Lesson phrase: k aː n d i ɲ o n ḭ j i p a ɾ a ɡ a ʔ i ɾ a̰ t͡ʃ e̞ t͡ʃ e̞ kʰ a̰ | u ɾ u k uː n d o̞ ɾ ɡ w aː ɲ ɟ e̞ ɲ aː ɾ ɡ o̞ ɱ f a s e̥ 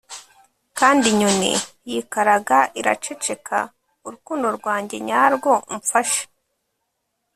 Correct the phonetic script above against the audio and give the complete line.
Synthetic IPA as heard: k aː n d i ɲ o n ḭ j i k a ɾ a ɡ a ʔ i ɾ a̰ t͡ʃ e̞ t͡ʃ e̞ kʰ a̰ | u ɾ u k uː n d o̞ ɾ ɡ w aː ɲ ɟ e̞ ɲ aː ɾ ɡ o̞ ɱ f a ʃ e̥